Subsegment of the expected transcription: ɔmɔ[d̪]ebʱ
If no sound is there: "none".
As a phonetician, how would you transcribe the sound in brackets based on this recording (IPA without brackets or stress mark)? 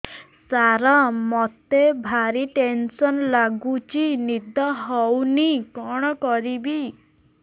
t̪